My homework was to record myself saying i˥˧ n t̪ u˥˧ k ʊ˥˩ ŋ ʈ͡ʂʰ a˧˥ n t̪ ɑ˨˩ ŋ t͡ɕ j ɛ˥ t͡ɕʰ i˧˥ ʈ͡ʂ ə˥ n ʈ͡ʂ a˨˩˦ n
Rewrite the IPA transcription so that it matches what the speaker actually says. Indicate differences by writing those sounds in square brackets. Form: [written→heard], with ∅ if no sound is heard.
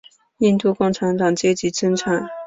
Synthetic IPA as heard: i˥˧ n t̪ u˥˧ k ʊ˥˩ ŋ ʈ͡ʂʰ a˧˥ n t̪ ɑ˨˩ ŋ t͡ɕ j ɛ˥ [t͡ɕʰ→t͡ɕ] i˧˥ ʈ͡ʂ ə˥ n [ʈ͡ʂ→ʈ͡ʂʰ] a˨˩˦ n